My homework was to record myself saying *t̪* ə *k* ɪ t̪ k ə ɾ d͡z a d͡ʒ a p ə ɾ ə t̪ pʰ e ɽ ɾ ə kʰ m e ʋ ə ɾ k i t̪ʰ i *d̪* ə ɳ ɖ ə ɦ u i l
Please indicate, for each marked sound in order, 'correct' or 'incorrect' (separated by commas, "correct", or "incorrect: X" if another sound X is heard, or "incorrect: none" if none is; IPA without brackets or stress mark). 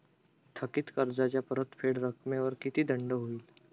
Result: incorrect: t̪ʰ, correct, correct